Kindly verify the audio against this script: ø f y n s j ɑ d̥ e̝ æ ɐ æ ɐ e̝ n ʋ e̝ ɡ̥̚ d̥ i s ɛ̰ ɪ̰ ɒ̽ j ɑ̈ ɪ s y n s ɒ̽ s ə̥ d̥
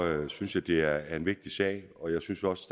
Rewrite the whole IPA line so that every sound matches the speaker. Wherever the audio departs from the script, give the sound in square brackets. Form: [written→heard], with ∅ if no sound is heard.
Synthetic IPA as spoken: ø [f→s] y n s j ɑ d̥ e̝ æ ɐ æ ɐ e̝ n ʋ e̝ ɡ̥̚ d̥ i s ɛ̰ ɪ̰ ɒ̽ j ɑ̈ ɪ s y n s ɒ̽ s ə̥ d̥